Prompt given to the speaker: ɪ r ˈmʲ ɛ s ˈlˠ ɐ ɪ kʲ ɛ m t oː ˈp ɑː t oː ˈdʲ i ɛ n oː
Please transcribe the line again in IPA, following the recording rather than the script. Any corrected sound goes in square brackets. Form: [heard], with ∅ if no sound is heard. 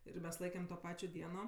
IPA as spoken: ɪ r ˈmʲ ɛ s ˈlˠ ɐ ɪ kʲ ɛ m t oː ˈp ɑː [t͡ʃʲ] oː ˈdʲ i ɛ n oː